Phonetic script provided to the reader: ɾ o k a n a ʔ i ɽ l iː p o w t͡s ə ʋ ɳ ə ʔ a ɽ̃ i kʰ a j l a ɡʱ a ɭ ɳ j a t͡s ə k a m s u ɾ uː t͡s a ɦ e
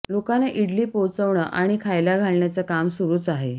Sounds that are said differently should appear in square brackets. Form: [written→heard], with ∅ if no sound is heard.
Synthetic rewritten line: [ɾ→l] o k a n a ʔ i ɽ l iː p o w t͡s ə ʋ ɳ ə ʔ a ɽ̃ i kʰ a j l a ɡʱ a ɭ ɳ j a t͡s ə k a m s u ɾ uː t͡s a ɦ e